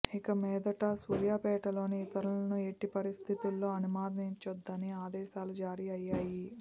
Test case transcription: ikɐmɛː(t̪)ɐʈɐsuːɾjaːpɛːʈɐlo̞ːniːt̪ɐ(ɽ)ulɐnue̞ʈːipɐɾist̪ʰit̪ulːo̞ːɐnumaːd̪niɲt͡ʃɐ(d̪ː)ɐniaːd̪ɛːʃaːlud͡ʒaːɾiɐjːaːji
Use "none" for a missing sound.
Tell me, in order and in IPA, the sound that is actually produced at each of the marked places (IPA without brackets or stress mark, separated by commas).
d̪, ɾ, d̪ː